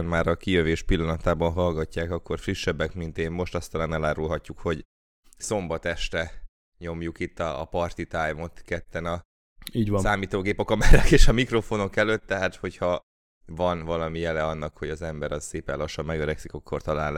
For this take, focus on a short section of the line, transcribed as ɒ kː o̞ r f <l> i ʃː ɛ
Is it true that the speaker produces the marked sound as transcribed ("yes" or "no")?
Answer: no